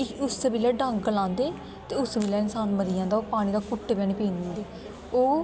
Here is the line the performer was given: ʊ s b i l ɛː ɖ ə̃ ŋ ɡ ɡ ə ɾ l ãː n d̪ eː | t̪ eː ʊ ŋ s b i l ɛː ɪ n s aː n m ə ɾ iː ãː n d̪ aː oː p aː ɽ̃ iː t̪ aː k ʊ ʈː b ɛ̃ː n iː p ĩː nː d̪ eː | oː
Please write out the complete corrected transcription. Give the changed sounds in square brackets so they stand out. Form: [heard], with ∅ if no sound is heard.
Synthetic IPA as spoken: ʊ s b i l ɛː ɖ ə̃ ŋ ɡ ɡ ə [∅] l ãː n d̪ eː | t̪ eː ʊ [∅] s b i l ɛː ɪ n s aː n m ə ɾ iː ãː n d̪ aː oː p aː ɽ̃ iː [d̪] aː k ʊ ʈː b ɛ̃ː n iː p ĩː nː d̪ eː | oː